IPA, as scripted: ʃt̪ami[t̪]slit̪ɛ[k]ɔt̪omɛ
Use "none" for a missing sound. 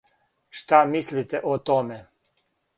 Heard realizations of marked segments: none, ʔ

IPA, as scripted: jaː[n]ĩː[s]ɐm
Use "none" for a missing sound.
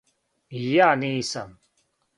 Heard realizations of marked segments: n, s

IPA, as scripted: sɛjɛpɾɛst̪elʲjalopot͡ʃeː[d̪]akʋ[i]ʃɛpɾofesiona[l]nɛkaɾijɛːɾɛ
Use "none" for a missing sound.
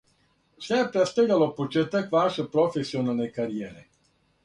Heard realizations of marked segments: t̪, a, l

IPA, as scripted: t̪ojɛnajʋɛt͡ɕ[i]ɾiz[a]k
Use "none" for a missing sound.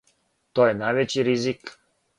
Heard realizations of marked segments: i, i

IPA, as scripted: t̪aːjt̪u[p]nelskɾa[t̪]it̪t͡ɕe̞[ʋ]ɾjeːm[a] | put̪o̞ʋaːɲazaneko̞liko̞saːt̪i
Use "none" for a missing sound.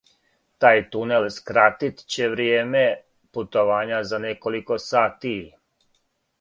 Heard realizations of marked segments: none, t̪, ʋ, e

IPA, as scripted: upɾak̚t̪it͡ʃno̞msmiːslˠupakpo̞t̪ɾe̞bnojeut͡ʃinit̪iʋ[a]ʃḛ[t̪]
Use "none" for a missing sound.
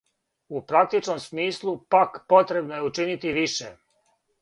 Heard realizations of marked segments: i, none

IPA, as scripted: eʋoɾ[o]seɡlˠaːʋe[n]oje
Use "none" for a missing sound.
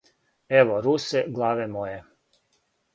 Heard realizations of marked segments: u, m

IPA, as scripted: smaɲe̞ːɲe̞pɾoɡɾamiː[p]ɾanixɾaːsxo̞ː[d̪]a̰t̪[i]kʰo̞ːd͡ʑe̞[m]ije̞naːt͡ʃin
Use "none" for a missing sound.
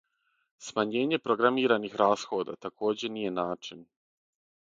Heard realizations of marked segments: none, d̪, a, n

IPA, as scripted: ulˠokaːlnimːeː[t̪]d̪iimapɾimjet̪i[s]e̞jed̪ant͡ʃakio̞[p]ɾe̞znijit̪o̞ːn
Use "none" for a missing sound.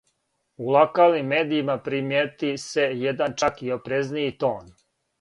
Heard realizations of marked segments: none, s, p

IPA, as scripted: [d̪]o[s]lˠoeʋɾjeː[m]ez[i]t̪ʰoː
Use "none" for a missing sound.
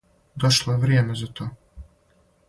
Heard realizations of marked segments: d̪, ʃ, m, a

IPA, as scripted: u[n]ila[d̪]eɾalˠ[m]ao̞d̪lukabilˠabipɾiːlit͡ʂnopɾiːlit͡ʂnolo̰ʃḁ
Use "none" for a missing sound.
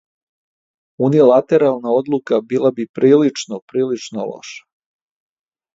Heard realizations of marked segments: n, t̪, n

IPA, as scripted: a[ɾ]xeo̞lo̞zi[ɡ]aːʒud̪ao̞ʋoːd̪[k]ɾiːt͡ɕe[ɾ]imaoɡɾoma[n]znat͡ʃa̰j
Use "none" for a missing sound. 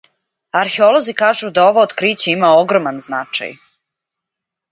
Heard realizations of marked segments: ɾ, k, k, none, n

